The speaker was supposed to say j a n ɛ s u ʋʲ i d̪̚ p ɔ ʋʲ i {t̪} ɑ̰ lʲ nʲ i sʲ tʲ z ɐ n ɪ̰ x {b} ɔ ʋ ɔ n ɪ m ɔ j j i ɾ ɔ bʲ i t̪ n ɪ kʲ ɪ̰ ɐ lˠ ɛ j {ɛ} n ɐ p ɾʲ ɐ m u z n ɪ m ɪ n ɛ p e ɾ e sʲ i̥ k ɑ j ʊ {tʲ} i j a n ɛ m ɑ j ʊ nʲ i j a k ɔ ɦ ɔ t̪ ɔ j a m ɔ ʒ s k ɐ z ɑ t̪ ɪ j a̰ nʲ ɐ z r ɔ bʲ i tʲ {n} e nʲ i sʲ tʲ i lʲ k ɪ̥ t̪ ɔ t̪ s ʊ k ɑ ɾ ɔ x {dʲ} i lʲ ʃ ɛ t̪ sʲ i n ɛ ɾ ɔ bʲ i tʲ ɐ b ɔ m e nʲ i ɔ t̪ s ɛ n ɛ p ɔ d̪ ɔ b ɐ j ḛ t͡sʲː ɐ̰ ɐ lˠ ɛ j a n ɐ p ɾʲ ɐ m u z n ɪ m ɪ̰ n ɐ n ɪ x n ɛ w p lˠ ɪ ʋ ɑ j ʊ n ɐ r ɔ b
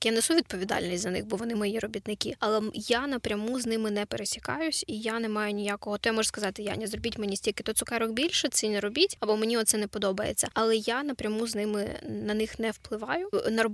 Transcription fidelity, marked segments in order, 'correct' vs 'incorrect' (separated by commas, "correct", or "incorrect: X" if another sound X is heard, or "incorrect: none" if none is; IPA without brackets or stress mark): incorrect: d̪, correct, incorrect: a, incorrect: sʲ, incorrect: m, incorrect: bʲ